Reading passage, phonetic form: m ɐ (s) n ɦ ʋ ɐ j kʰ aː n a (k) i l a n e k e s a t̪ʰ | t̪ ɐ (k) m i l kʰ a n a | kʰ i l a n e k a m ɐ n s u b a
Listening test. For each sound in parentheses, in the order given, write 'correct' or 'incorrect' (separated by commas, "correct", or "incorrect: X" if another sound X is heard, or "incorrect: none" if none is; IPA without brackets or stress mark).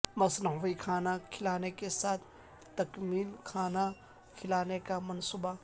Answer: correct, incorrect: kʰ, correct